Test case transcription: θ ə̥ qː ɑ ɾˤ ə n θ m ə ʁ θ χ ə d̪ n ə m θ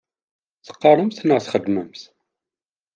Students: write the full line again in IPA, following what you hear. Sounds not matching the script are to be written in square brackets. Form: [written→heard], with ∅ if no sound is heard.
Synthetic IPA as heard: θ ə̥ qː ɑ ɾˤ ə [n→m] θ [m→n] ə ʁ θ χ ə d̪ [n→m] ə m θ